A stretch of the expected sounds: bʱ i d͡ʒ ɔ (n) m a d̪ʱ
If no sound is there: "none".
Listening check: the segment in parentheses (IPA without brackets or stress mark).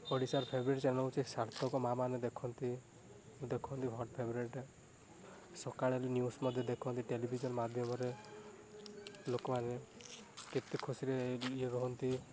n